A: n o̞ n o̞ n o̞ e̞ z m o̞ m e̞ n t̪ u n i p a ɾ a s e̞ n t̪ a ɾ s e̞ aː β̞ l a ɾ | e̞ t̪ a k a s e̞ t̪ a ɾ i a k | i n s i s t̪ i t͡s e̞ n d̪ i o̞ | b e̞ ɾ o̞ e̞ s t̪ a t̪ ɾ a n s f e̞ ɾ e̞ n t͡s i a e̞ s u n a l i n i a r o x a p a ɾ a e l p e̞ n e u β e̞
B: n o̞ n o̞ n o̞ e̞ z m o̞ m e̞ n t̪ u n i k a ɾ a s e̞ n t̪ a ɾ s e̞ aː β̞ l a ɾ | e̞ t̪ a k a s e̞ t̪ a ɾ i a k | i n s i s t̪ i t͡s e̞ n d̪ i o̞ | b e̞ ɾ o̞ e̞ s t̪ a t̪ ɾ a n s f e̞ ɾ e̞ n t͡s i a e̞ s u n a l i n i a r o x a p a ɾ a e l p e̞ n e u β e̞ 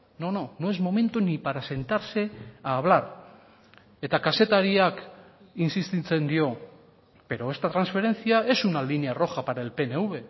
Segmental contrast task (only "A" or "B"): A